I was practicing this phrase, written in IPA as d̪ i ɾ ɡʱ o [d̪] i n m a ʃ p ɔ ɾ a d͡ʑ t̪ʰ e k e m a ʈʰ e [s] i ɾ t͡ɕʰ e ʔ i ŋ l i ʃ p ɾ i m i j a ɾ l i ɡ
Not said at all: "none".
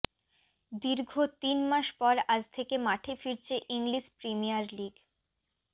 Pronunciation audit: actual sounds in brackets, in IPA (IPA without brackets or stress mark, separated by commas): t̪, f